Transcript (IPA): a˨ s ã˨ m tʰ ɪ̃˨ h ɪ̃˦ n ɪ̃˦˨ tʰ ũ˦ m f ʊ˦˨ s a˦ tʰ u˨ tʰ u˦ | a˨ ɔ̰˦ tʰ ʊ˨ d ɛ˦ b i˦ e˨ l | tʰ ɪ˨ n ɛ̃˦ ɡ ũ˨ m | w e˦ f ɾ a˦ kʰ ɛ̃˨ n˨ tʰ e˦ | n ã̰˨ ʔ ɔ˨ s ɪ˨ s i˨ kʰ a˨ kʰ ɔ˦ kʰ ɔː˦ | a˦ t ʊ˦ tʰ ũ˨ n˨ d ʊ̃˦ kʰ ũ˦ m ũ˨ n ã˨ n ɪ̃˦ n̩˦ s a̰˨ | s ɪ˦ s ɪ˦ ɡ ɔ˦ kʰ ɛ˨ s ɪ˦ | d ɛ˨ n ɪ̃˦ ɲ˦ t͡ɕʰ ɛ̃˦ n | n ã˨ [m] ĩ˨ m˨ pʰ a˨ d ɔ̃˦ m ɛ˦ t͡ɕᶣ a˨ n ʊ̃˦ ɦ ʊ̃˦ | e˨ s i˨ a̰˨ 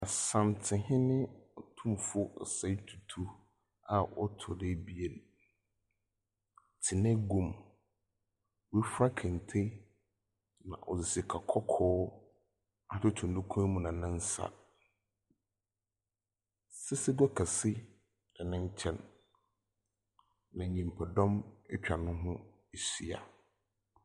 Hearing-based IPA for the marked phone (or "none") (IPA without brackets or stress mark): ɲ